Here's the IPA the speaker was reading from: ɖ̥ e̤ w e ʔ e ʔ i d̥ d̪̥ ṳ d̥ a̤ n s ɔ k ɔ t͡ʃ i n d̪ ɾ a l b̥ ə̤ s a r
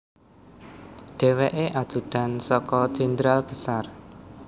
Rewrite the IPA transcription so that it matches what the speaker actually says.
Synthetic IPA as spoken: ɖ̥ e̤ w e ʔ e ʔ a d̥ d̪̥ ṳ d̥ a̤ n s ɔ k ɔ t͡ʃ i n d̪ ɾ a l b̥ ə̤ s a r